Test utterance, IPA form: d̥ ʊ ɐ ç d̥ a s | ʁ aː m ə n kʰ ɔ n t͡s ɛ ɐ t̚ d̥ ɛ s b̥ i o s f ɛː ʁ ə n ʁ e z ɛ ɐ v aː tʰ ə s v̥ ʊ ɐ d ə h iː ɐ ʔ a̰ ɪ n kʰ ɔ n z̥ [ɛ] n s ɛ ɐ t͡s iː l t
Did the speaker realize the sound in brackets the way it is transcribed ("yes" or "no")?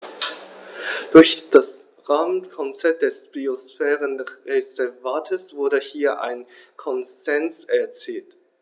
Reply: yes